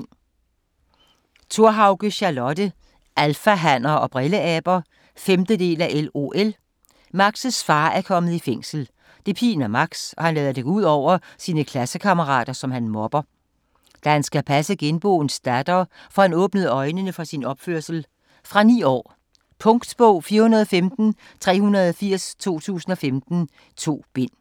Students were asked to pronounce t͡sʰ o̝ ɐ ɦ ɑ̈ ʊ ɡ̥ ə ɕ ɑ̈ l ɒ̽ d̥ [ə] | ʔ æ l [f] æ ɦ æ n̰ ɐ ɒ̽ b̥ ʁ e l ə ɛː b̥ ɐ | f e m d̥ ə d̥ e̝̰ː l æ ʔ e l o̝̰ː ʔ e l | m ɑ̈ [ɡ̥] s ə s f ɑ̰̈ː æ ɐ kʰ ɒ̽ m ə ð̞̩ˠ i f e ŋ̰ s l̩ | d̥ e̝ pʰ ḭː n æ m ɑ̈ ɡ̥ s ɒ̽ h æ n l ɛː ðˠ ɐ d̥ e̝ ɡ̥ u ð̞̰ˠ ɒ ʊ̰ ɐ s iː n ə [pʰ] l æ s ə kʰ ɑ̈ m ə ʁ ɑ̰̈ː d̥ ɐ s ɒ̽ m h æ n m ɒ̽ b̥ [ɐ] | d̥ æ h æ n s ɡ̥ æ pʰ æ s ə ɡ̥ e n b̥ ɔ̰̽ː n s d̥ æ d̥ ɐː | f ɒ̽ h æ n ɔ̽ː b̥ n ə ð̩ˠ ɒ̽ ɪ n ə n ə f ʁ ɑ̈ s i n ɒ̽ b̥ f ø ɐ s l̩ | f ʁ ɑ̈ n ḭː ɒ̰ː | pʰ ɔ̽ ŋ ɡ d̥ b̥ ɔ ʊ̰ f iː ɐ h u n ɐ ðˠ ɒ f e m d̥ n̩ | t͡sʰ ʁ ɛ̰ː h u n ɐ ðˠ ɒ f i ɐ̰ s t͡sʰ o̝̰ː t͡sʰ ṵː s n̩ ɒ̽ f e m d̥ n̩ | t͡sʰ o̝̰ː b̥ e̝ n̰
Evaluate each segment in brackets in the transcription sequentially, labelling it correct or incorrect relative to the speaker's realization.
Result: correct, correct, correct, incorrect, correct

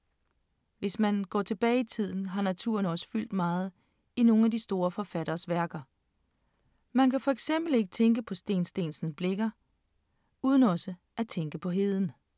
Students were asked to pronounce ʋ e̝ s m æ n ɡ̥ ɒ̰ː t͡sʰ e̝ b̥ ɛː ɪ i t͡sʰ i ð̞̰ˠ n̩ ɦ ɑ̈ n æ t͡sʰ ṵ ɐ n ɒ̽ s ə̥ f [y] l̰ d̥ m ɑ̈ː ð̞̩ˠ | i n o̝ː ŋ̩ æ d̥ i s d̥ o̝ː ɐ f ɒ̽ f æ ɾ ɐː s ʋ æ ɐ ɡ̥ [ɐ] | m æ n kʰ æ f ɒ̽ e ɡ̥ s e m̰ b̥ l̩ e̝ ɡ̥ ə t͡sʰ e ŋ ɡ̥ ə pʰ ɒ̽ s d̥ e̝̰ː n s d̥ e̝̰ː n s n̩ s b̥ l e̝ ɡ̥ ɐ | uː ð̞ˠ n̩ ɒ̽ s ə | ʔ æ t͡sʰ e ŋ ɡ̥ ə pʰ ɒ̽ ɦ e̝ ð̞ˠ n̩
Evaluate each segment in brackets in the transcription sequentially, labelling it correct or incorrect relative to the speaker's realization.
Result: correct, correct

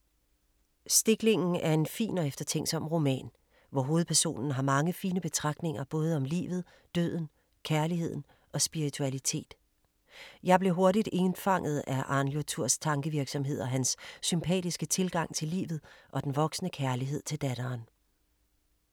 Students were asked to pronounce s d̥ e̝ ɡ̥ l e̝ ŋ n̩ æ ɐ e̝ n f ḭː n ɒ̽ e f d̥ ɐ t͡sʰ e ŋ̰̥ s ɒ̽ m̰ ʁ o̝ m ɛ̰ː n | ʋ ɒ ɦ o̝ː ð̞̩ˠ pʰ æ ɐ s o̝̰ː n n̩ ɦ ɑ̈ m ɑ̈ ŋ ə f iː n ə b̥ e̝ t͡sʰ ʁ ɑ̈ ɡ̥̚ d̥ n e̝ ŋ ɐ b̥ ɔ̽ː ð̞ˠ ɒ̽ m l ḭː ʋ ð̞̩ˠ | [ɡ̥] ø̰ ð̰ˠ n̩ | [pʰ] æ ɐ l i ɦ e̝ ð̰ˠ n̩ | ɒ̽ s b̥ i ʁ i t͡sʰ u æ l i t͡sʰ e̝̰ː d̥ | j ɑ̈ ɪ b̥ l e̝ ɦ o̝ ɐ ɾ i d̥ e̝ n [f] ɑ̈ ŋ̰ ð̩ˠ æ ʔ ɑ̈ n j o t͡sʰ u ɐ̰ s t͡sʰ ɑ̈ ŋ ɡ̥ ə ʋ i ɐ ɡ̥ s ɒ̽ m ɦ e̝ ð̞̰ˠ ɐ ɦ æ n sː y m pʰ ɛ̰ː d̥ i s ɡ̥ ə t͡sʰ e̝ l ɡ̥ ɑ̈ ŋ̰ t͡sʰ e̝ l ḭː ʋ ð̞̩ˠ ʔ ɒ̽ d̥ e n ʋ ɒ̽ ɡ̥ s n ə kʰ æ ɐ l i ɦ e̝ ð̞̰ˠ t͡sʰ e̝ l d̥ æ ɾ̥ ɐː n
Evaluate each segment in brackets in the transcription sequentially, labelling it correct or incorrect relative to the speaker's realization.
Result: incorrect, incorrect, correct

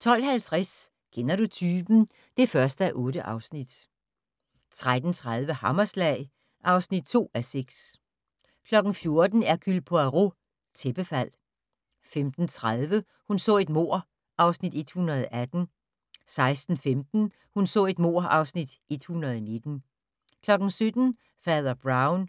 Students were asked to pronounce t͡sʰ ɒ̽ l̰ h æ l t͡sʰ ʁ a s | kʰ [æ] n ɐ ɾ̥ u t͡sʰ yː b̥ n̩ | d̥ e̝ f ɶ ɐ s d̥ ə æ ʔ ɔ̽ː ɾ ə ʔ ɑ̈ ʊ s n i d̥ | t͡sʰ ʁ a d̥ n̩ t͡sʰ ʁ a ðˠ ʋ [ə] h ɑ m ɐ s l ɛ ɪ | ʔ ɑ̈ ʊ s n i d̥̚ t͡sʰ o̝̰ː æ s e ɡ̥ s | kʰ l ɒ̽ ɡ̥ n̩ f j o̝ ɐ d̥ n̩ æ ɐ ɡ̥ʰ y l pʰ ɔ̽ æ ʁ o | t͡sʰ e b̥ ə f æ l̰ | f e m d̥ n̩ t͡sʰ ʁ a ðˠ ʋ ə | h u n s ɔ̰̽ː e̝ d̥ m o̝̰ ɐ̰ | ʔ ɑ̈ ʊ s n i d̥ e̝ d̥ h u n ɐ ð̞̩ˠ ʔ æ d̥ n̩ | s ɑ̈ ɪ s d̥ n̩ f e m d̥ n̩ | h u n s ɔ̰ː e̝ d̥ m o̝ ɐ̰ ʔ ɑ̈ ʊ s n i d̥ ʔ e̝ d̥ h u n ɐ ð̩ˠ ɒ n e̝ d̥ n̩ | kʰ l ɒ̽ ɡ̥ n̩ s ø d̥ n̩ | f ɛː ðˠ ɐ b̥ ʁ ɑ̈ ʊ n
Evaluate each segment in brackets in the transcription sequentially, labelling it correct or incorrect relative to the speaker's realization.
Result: incorrect, correct

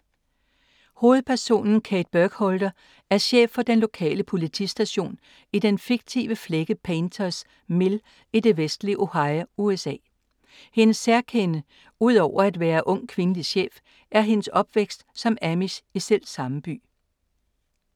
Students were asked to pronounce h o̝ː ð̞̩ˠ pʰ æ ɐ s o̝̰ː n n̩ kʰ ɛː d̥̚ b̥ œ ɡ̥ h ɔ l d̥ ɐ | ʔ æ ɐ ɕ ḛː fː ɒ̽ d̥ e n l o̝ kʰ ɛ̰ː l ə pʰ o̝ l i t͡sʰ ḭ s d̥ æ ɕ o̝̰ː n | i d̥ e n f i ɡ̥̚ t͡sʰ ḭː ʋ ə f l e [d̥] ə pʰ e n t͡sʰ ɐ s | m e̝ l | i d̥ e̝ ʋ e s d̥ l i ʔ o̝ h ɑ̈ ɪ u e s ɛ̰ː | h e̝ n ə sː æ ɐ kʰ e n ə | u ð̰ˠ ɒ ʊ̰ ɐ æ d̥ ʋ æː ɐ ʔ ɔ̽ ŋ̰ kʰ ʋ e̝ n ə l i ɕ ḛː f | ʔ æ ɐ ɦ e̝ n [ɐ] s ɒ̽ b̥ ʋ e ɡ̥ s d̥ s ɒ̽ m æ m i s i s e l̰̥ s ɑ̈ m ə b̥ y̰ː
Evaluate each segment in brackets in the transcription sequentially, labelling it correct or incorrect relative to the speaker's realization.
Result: incorrect, incorrect

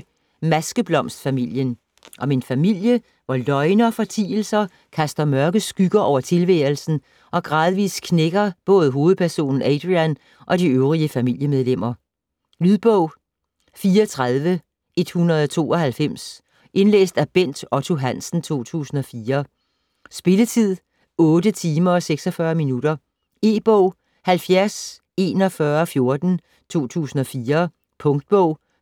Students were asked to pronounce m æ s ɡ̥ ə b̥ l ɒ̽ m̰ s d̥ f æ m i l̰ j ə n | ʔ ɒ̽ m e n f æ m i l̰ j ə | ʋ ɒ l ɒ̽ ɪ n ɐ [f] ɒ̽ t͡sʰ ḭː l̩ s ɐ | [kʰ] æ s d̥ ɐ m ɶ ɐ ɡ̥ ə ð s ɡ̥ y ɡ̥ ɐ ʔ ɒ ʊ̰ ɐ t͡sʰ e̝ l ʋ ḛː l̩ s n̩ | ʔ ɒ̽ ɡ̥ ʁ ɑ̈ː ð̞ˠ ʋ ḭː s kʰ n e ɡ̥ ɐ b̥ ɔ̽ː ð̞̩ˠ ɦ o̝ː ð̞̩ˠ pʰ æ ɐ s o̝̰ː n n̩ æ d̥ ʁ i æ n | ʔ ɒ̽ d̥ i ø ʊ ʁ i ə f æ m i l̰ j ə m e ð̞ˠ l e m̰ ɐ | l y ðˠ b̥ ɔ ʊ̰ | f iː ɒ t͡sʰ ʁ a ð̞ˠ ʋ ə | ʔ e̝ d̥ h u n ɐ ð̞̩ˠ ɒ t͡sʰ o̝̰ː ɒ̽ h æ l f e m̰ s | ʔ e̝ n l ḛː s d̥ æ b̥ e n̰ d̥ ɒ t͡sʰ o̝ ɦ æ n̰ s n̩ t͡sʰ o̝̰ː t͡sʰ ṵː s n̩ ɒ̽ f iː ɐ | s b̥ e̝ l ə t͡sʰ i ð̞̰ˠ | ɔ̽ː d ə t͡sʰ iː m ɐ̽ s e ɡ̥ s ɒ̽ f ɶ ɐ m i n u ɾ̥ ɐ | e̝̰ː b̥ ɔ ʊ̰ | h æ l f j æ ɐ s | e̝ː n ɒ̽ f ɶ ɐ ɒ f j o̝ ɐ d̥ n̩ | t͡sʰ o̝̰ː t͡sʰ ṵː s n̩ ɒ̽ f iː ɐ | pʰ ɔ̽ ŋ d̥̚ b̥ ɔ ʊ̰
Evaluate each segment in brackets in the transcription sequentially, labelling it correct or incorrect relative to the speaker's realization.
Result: correct, correct

